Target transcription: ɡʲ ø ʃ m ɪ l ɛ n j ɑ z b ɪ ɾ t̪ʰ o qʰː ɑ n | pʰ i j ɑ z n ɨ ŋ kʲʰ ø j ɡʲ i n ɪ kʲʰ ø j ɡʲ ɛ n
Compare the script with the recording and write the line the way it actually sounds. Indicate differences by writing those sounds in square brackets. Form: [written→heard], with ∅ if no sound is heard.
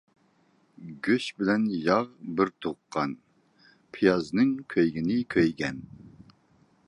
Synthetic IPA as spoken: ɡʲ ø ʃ [m→b] ɪ l ɛ n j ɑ [z→ʁ] b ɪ ɾ t̪ʰ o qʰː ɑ n | pʰ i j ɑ z n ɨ ŋ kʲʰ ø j ɡʲ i n ɪ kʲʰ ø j ɡʲ ɛ n